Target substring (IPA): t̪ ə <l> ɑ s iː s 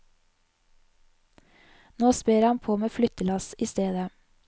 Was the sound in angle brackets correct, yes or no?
yes